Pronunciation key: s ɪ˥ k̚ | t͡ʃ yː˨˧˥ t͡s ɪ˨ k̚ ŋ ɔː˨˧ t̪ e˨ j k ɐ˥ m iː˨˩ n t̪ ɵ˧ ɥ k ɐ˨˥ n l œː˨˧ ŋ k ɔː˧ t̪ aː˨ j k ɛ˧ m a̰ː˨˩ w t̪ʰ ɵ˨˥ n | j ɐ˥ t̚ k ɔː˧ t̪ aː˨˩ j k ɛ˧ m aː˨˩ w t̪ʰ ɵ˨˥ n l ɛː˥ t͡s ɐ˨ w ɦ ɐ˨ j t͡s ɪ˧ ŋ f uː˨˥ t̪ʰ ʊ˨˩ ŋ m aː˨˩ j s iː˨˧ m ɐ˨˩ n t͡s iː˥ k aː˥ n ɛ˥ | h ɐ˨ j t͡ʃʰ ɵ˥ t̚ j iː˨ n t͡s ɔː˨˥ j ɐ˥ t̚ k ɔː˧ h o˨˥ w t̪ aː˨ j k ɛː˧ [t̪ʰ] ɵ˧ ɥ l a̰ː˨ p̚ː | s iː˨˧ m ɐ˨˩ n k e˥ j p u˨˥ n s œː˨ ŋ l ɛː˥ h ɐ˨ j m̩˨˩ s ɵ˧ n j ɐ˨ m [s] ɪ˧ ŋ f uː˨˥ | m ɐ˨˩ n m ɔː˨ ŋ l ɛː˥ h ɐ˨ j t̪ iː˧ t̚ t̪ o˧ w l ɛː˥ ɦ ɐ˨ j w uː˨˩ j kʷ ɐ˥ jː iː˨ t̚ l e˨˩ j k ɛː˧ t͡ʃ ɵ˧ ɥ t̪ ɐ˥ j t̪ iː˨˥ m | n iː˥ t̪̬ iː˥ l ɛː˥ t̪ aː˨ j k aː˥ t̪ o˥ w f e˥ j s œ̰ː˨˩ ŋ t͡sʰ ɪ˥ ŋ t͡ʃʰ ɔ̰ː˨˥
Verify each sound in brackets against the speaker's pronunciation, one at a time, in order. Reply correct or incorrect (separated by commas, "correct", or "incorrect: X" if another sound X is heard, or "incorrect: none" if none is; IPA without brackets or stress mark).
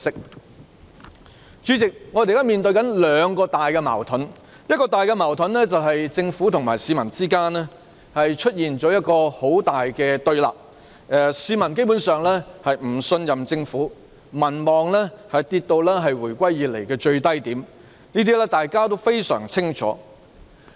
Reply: incorrect: t̪, incorrect: t͡s